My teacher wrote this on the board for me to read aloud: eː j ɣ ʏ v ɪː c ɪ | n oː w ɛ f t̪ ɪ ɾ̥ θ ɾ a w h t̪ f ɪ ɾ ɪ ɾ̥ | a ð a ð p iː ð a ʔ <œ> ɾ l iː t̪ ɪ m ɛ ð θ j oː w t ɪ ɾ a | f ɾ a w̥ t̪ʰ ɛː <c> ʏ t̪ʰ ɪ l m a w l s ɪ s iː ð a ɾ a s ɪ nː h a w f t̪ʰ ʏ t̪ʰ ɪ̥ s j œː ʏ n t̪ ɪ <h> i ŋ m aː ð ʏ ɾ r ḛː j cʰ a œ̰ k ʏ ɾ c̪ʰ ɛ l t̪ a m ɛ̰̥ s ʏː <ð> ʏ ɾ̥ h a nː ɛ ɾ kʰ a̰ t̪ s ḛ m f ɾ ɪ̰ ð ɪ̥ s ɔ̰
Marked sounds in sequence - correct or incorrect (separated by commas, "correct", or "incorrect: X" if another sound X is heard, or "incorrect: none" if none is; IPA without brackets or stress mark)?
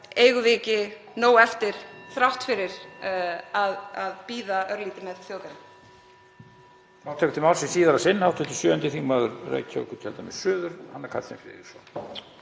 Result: correct, incorrect: k, incorrect: θ, correct